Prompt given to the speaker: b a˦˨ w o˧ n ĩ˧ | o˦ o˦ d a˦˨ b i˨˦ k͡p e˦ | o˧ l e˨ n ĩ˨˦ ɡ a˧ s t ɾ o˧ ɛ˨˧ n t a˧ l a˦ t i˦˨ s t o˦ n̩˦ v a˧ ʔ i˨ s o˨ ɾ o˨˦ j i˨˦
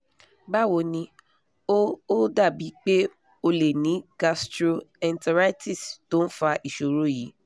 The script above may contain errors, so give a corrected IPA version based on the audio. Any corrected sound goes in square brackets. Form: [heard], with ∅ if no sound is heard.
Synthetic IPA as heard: b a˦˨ w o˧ n ĩ˧ | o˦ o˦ d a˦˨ b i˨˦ k͡p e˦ | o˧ l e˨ n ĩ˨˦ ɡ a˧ s t ɾ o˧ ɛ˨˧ n t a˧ [ɾ] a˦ t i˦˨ s t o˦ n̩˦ [f] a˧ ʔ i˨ [ʃ] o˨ ɾ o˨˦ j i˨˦